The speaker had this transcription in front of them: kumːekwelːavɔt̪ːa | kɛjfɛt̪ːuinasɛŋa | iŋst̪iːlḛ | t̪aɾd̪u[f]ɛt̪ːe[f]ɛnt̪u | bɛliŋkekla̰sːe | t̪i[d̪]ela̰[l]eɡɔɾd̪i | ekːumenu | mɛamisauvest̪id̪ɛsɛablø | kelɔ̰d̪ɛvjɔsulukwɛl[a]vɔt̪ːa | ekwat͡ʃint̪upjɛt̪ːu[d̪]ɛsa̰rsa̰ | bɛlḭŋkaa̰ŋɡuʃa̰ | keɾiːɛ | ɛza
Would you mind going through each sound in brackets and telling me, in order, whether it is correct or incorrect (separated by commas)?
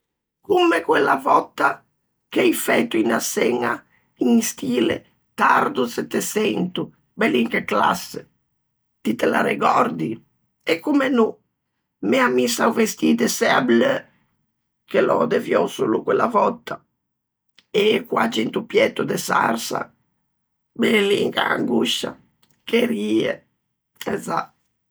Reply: incorrect, incorrect, incorrect, incorrect, correct, correct